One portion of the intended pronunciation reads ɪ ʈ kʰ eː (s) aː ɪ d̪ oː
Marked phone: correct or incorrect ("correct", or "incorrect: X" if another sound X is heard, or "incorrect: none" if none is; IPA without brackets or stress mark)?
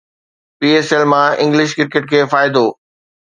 incorrect: f